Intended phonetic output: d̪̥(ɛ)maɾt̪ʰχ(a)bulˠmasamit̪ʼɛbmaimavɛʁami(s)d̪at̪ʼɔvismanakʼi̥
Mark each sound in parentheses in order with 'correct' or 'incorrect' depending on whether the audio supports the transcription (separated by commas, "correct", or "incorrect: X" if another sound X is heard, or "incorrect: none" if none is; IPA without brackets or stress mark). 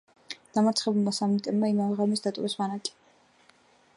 incorrect: a, incorrect: ɛ, correct